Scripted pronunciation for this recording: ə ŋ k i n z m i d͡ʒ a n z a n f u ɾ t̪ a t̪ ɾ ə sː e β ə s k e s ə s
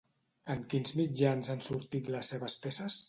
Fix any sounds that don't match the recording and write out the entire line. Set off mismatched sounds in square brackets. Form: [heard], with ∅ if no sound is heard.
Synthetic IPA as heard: ə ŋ k i n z m i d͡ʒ a n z a n [s] u ɾ t̪ [i] t̪ [l] ə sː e β ə s [p] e s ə s